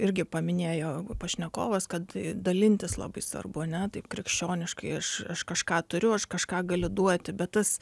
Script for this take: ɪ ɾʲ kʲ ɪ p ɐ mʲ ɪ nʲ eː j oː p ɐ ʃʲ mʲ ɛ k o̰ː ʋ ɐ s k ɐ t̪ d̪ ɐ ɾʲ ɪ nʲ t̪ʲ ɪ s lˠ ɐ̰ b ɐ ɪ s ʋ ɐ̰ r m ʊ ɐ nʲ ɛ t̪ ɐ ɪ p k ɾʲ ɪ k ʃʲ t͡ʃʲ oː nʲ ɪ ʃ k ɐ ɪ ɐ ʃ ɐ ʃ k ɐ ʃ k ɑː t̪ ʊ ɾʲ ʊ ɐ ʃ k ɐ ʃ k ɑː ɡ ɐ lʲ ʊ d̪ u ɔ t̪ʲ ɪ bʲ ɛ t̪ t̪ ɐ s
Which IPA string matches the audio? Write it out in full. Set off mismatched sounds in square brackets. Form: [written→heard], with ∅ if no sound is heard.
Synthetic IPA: ɪ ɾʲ [kʲ→ɡʲ] ɪ p ɐ mʲ ɪ nʲ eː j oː p ɐ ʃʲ [mʲ→nʲ] ɛ k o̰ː ʋ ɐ s k ɐ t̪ d̪ ɐ [ɾʲ→lʲ] ɪ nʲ t̪ʲ ɪ s lˠ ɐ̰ b ɐ ɪ s ʋ ɐ̰ r [m→b] ʊ ɐ nʲ ɛ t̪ ɐ ɪ p k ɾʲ ɪ k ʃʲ t͡ʃʲ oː nʲ ɪ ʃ k ɐ ɪ ɐ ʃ ɐ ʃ k ɐ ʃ k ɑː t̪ ʊ ɾʲ ʊ ɐ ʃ k ɐ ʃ k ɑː ɡ ɐ lʲ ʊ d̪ u ɔ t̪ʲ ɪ bʲ ɛ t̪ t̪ ɐ s

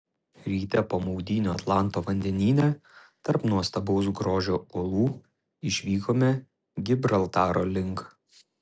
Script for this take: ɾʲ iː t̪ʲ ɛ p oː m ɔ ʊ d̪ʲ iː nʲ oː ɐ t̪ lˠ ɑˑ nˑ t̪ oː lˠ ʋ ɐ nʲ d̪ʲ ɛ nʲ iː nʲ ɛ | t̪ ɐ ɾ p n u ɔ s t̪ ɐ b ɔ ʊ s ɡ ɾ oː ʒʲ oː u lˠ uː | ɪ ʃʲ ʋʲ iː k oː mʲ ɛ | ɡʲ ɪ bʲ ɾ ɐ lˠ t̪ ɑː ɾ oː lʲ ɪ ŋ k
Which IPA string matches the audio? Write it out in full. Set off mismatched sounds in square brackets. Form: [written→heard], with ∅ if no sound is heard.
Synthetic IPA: ɾʲ iː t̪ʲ ɛ p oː m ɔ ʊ d̪ʲ iː nʲ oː ɐ t̪ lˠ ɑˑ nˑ t̪ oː [lˠ→∅] ʋ ɐ nʲ d̪ʲ ɛ nʲ iː nʲ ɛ | t̪ ɐ ɾ p n u ɔ s t̪ ɐ b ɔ ʊ s ɡ ɾ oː ʒʲ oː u lˠ uː | ɪ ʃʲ ʋʲ iː k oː mʲ ɛ | ɡʲ ɪ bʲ ɾ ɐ lˠ t̪ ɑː ɾ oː lʲ ɪ ŋ k

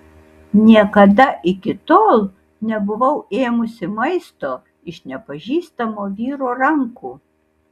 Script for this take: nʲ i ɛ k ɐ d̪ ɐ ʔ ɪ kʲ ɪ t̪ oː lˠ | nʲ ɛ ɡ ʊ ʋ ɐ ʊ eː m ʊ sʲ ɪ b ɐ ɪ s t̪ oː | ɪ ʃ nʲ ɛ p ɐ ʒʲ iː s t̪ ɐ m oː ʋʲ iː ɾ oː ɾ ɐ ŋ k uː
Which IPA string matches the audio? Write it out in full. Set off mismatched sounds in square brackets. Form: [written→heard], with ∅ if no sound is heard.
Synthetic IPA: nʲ i ɛ k ɐ d̪ ɐ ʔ ɪ kʲ ɪ t̪ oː lˠ | nʲ ɛ [ɡ→b] ʊ ʋ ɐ ʊ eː m ʊ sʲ ɪ [b→m] ɐ ɪ s t̪ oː | ɪ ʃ nʲ ɛ p ɐ ʒʲ iː s t̪ ɐ m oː ʋʲ iː ɾ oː ɾ ɐ ŋ k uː

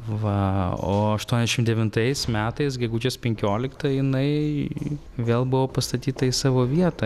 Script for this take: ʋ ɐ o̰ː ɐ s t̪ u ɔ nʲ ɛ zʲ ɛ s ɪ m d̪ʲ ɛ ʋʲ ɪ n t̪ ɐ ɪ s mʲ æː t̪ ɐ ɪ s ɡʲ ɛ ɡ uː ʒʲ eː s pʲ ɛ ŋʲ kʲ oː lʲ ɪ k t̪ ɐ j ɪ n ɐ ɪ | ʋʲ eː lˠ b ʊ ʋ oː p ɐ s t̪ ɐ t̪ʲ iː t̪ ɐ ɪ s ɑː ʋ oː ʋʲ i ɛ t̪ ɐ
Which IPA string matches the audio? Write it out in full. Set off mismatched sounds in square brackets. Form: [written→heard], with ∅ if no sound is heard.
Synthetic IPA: ʋ ɐ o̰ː ɐ [s→ʃ] t̪ u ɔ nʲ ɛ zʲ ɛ [s→ʃ] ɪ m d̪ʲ ɛ ʋʲ ɪ n t̪ ɐ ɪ s mʲ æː t̪ ɐ ɪ s ɡʲ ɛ ɡ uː [ʒʲ→d͡ʒʲ] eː s pʲ ɛ ŋʲ kʲ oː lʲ ɪ k t̪ ɐ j ɪ n ɐ ɪ | ʋʲ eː lˠ b ʊ ʋ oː p ɐ s t̪ ɐ t̪ʲ iː t̪ ɐ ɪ s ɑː ʋ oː ʋʲ i ɛ t̪ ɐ

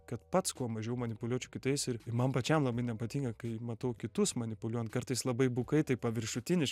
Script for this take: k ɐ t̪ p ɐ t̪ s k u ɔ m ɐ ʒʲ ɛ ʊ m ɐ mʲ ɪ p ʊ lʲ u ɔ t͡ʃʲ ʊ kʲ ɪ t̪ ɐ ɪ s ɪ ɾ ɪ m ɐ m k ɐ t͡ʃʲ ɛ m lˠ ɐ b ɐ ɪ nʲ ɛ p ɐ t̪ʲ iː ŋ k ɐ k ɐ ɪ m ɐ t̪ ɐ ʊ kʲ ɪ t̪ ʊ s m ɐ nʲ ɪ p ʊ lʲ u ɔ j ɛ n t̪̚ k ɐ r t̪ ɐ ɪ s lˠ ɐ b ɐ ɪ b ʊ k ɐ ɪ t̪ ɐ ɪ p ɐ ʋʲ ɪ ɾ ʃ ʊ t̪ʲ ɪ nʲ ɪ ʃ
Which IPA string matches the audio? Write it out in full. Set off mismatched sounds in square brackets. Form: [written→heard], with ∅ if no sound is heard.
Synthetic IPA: k ɐ t̪ p ɐ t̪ s k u ɔ m ɐ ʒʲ ɛ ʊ m ɐ [mʲ→nʲ] ɪ p ʊ lʲ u ɔ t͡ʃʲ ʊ kʲ ɪ t̪ ɐ ɪ s ɪ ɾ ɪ m ɐ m [k→p] ɐ t͡ʃʲ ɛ m lˠ ɐ b ɐ ɪ nʲ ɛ p ɐ t̪ʲ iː ŋ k ɐ k ɐ ɪ m ɐ t̪ ɐ ʊ kʲ ɪ t̪ ʊ s m ɐ nʲ ɪ p ʊ lʲ u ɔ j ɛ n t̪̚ k ɐ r t̪ ɐ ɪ s lˠ ɐ b ɐ ɪ b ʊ k ɐ ɪ t̪ ɐ ɪ p ɐ ʋʲ ɪ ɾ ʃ ʊ t̪ʲ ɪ nʲ ɪ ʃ

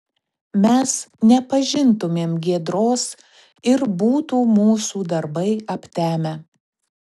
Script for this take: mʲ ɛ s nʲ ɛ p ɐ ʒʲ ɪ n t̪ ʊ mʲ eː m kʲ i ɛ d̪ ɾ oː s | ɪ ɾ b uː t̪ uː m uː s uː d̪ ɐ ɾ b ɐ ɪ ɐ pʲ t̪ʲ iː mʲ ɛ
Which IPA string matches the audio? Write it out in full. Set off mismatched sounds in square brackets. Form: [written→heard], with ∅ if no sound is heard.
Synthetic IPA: mʲ ɛ s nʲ ɛ p ɐ ʒʲ ɪ n t̪ ʊ mʲ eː m [kʲ→ɡʲ] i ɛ d̪ ɾ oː s | ɪ ɾ b uː t̪ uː m uː s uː d̪ ɐ ɾ b ɐ ɪ ɐ pʲ t̪ʲ [iː→æː] mʲ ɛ

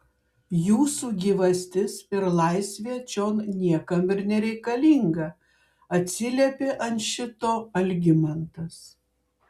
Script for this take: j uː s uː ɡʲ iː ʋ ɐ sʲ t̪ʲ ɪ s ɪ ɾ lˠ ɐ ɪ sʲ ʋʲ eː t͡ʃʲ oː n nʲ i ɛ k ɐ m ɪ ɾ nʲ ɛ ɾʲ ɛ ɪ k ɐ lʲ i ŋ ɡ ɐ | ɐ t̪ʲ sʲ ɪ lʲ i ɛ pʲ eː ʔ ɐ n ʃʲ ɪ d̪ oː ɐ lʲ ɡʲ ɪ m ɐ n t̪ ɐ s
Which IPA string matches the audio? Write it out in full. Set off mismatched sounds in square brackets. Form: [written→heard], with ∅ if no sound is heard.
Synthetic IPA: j uː s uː ɡʲ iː ʋ ɐ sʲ t̪ʲ ɪ s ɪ ɾ lˠ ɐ ɪ sʲ ʋʲ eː t͡ʃʲ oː n nʲ i ɛ k ɐ m ɪ ɾ nʲ ɛ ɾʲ ɛ ɪ k ɐ lʲ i ŋ ɡ ɐ | ɐ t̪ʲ sʲ ɪ lʲ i ɛ pʲ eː ʔ ɐ n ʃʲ ɪ [d̪→t̪] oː ɐ lʲ ɡʲ ɪ m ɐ n t̪ ɐ s

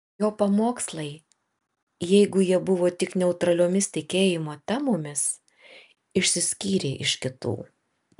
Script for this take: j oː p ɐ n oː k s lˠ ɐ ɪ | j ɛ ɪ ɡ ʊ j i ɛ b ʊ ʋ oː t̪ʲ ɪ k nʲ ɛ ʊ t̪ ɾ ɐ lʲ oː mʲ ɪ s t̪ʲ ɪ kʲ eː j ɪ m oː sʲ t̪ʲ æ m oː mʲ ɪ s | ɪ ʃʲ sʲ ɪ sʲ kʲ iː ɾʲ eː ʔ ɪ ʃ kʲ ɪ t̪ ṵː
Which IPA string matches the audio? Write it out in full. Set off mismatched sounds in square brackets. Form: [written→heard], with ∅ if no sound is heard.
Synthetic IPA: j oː p ɐ [n→m] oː k s lˠ ɐ ɪ | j ɛ ɪ ɡ ʊ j i ɛ b ʊ ʋ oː t̪ʲ ɪ k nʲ ɛ ʊ t̪ ɾ ɐ lʲ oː mʲ ɪ s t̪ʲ ɪ kʲ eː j ɪ m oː [sʲ→∅] t̪ʲ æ m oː mʲ ɪ s | ɪ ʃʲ sʲ ɪ sʲ kʲ iː ɾʲ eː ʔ ɪ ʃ kʲ ɪ t̪ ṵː

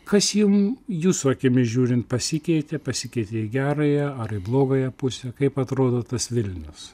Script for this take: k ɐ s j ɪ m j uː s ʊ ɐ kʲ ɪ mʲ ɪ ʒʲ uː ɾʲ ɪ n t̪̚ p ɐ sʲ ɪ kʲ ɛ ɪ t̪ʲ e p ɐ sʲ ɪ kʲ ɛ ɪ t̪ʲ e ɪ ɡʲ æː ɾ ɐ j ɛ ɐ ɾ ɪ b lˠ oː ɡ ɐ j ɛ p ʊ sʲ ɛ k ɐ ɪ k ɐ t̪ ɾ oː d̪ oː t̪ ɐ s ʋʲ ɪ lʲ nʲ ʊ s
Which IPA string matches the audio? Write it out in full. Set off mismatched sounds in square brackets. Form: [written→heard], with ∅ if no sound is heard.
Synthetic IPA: k ɐ s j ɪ m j uː s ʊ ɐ kʲ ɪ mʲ ɪ ʒʲ uː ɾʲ ɪ n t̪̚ p ɐ sʲ ɪ kʲ ɛ ɪ t̪ʲ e p ɐ sʲ ɪ kʲ ɛ ɪ t̪ʲ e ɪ ɡʲ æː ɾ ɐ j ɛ ɐ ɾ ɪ b lˠ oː ɡ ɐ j ɛ p ʊ sʲ ɛ k ɐ ɪ [k→p] ɐ t̪ ɾ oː d̪ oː t̪ ɐ s ʋʲ ɪ lʲ nʲ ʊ s

